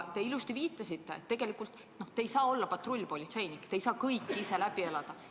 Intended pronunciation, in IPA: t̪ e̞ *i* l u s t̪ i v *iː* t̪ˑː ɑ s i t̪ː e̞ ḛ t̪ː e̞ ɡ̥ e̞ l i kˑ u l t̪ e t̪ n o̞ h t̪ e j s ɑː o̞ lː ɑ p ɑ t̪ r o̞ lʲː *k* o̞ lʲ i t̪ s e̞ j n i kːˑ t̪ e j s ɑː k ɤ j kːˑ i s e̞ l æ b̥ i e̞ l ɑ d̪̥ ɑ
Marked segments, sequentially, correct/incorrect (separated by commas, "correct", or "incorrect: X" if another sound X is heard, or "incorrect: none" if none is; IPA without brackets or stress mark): correct, correct, incorrect: p